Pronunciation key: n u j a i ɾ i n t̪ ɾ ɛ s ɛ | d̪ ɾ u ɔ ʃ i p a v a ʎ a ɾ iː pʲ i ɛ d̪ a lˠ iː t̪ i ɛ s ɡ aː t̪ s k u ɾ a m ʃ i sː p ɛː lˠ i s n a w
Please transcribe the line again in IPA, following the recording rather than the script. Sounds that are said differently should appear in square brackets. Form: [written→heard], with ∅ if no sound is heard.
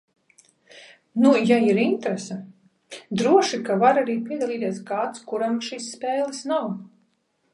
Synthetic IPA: n u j a i ɾ i n t̪ ɾ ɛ s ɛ | d̪ ɾ u ɔ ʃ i [p→k] a v a [ʎ→ɾ] a ɾ iː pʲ i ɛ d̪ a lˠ iː t̪ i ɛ s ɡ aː t̪ s k u ɾ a m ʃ i sː p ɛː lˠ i s n a w